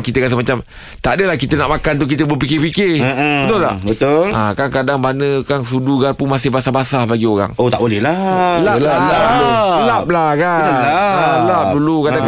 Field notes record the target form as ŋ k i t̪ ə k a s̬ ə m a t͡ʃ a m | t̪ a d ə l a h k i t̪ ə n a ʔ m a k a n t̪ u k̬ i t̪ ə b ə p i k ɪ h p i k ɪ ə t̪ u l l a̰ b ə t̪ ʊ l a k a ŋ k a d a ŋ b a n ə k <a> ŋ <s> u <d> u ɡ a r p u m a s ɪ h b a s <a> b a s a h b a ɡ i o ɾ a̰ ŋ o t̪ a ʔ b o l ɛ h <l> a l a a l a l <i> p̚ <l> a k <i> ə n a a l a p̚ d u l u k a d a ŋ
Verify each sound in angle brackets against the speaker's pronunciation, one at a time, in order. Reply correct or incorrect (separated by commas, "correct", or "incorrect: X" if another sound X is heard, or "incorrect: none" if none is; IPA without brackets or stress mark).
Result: correct, correct, correct, correct, correct, incorrect: a, correct, incorrect: a